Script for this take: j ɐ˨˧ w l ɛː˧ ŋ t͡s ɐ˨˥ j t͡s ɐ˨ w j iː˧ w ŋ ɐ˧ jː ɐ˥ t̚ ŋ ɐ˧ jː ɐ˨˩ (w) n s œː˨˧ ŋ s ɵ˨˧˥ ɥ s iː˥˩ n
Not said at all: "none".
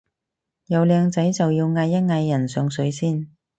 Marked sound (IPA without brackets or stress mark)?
none